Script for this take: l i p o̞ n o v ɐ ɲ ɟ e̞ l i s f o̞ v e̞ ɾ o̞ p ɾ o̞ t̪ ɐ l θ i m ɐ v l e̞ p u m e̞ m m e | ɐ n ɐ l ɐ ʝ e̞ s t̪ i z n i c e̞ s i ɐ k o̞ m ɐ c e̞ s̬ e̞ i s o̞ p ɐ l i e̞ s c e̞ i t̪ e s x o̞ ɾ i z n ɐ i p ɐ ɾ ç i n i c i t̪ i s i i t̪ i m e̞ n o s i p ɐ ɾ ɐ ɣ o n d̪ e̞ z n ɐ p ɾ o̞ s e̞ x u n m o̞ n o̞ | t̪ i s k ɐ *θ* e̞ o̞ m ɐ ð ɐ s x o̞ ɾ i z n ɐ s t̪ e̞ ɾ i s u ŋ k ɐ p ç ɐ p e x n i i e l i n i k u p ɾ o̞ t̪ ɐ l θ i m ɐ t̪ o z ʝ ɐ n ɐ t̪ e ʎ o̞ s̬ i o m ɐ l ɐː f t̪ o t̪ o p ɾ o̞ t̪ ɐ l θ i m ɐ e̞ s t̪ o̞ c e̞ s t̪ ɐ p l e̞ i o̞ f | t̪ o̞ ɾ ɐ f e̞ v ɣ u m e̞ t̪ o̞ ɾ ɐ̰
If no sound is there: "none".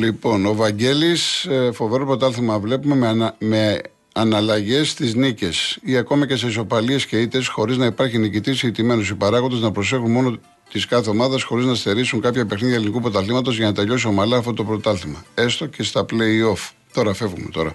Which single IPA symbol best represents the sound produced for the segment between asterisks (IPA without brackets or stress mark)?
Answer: θ